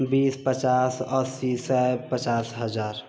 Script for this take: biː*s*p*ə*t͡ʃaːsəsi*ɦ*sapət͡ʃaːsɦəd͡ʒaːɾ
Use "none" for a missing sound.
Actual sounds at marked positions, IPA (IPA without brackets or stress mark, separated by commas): s, ə, none